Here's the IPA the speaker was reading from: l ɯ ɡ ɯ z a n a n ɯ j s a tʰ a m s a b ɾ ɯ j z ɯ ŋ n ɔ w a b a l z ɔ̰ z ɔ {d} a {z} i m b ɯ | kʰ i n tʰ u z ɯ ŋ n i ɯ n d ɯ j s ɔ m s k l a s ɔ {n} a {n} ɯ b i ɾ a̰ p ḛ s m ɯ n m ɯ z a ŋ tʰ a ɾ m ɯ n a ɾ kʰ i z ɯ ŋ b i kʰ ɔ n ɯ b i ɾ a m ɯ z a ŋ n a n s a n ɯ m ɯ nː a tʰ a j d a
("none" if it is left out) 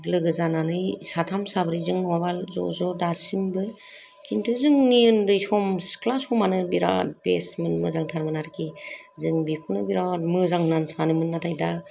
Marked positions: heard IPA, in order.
d, s, m, n

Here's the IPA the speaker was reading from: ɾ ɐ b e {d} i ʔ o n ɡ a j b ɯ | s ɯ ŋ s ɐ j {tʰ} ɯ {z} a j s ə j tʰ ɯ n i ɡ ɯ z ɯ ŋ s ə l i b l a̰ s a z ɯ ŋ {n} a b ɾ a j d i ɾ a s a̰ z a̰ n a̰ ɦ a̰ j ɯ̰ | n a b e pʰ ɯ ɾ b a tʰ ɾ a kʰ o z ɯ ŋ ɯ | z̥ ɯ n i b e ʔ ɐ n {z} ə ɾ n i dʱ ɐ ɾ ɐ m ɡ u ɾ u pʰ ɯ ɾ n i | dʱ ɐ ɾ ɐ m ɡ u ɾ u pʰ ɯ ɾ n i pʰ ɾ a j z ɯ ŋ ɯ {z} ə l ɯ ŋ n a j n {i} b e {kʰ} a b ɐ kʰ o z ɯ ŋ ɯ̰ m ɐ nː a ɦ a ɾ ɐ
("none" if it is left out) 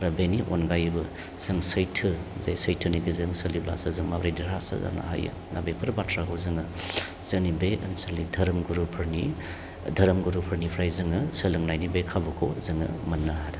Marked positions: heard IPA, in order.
n, tʰ, z, m, s, s, i, kʰ

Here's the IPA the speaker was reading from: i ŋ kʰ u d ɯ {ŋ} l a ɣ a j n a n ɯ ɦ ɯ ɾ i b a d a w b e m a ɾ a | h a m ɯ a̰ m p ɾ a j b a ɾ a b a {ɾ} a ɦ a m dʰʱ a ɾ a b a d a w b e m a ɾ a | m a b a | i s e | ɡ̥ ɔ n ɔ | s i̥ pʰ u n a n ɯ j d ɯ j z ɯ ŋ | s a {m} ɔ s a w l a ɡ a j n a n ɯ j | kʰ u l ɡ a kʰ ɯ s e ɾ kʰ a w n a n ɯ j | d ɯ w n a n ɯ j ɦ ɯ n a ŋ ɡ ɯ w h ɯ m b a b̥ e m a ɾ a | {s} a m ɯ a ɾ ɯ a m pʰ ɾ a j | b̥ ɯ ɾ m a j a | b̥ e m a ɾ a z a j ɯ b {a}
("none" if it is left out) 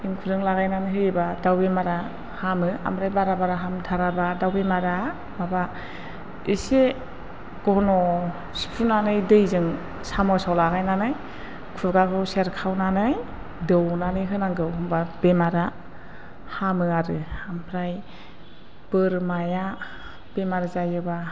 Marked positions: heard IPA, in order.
ŋ, ɾ, m, h, a

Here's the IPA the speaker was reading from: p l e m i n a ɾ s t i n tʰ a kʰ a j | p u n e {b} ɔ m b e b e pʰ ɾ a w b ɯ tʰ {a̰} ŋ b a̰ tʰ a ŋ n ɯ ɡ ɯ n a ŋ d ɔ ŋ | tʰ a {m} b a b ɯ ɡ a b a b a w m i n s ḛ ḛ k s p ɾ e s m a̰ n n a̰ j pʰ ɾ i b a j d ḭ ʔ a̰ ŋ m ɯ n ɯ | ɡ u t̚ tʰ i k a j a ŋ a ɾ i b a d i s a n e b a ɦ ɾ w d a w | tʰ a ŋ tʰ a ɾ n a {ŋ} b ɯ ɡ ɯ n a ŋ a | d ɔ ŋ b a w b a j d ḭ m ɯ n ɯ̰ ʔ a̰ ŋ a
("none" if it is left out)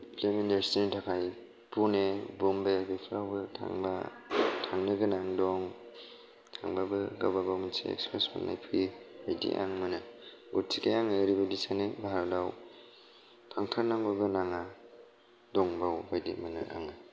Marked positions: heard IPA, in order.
b, a̰, ŋ, ŋ

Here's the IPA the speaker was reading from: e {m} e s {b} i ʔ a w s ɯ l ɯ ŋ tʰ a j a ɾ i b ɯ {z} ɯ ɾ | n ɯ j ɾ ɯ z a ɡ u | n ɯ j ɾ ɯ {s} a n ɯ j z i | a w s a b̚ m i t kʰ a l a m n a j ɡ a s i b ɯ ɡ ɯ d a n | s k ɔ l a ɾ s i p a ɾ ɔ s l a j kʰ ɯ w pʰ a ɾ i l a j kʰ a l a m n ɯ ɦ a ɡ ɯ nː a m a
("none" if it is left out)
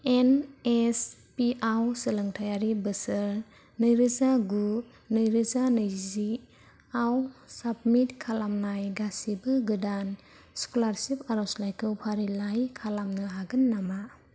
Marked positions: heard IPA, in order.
n, p, s, z

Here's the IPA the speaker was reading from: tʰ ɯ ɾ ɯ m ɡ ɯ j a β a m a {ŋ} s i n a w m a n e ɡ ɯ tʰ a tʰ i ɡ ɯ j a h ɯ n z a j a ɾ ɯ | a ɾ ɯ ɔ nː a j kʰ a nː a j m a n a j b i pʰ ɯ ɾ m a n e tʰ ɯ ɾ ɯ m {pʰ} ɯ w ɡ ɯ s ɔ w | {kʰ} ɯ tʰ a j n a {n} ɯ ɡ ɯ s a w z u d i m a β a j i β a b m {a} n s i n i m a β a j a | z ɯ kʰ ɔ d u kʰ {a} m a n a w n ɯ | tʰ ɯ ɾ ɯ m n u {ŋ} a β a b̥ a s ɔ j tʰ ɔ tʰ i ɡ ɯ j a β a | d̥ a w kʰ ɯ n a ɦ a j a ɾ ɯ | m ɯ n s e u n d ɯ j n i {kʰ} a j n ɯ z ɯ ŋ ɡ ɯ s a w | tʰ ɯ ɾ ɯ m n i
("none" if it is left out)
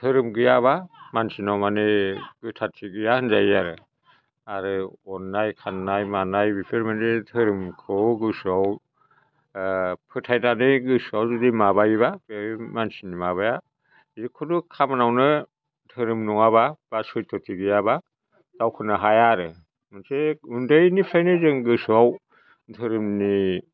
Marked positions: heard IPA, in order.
n, kʰ, pʰ, n, a, a, ŋ, pʰ

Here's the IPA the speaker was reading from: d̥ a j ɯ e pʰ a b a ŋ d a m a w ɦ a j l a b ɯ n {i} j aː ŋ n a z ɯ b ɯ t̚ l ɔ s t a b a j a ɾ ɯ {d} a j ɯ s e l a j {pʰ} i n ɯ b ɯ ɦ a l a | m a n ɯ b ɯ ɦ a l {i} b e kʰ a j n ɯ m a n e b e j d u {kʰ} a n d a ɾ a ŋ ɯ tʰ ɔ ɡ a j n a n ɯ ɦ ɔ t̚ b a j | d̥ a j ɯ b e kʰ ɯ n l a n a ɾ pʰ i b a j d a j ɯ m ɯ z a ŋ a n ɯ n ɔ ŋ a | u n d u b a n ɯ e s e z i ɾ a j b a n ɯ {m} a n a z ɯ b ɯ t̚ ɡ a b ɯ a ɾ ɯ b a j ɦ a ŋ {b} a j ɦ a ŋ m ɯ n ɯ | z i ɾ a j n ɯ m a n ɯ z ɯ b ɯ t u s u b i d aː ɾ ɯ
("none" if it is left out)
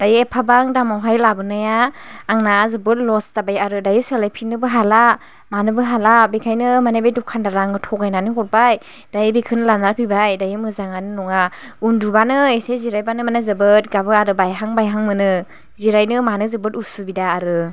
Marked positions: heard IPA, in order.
a, d, pʰ, a, kʰ, m, b

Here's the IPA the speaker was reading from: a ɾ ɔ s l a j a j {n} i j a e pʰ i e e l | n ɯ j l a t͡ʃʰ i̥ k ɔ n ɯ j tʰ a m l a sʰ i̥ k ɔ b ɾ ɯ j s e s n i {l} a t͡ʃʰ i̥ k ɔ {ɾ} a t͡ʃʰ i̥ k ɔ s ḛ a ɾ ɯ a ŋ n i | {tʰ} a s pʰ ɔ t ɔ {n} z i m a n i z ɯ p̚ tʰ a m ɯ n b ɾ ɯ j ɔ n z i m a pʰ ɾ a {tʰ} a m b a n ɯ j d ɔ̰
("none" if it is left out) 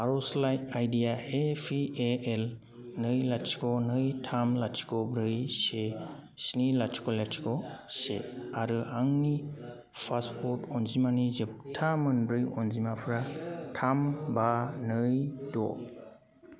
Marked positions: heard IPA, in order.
d, l, l, pʰ, n, tʰ

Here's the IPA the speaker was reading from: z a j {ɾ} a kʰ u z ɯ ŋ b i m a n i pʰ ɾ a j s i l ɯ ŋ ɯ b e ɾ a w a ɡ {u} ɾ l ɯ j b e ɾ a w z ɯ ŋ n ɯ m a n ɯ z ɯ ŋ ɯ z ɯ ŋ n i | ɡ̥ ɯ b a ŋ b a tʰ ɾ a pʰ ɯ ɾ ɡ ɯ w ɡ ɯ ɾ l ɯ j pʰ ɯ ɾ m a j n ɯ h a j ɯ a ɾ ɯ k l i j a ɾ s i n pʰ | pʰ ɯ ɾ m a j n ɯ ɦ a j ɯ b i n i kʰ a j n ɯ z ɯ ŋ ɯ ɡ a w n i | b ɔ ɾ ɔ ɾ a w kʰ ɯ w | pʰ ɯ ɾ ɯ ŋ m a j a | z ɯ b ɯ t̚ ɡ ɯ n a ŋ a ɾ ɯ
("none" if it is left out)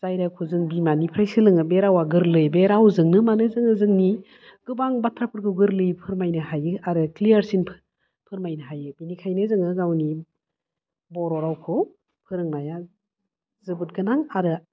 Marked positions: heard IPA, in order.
ɾ, ɯ

